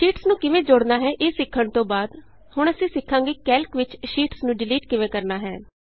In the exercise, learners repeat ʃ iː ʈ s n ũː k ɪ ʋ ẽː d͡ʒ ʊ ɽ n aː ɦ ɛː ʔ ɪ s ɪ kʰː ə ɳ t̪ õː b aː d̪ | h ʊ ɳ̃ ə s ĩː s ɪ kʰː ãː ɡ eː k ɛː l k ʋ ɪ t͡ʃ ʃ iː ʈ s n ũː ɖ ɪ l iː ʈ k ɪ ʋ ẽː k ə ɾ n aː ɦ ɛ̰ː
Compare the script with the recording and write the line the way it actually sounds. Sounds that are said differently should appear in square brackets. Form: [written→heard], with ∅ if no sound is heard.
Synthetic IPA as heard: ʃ iː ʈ s n ũː k ɪ ʋ ẽː d͡ʒ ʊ ɽ n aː ɦ ɛː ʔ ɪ s ɪ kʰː ə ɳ t̪ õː b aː d̪ | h ʊ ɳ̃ ə s ĩː s ɪ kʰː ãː ɡ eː k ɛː l k ʋ ɪ t͡ʃ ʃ iː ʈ s n ũː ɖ ɪ l iː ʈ k ɪ ʋ ẽː k ə ɾ n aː ɦ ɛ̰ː